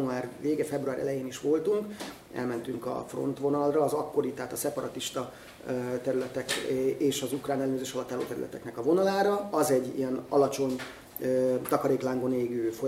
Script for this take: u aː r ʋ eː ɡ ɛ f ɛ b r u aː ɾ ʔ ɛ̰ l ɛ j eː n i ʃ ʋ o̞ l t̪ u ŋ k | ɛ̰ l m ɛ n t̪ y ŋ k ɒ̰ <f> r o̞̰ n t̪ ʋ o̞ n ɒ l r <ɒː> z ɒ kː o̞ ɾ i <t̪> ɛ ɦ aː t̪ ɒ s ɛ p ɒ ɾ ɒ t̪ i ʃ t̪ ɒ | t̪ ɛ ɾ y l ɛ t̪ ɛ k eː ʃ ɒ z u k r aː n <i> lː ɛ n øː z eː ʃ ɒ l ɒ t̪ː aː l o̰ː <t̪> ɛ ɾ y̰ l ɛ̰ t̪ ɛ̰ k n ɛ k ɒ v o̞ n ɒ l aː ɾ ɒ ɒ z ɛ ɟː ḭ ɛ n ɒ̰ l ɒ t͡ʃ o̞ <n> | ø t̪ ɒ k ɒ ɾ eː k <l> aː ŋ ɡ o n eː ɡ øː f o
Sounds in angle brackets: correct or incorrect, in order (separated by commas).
correct, correct, correct, incorrect, correct, incorrect, correct